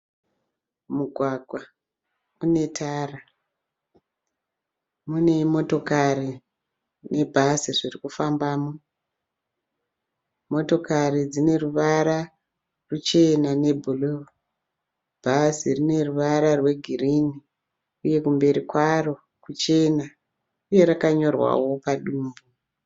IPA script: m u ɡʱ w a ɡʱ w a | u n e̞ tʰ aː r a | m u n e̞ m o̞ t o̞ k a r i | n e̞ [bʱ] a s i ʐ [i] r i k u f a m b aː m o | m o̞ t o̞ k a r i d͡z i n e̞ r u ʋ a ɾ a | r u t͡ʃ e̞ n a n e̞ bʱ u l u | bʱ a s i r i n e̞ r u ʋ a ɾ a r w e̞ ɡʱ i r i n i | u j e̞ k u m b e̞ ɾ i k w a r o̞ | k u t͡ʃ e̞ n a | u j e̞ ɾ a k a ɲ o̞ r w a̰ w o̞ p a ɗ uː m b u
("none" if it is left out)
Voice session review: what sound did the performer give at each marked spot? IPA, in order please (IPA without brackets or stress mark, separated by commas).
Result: bʱ, i